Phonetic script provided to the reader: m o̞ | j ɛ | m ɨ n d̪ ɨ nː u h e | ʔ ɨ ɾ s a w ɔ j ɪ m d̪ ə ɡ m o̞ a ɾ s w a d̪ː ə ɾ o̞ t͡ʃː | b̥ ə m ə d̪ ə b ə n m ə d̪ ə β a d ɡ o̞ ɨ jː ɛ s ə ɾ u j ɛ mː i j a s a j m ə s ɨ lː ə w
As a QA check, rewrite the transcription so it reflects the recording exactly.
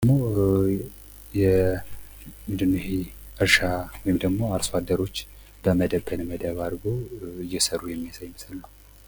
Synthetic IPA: m o̞ | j ɛ | m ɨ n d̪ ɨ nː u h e | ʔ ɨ ɾ ʃ a w ɔ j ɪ m d̪ ə ɡ m o̞ a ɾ s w a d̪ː ə ɾ o̞ t͡ʃː | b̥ ə m ə d̪ ə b ə n m ə d̪ ə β a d ɡ o̞ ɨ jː ɛ s ə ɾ u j ɛ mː i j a s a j m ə s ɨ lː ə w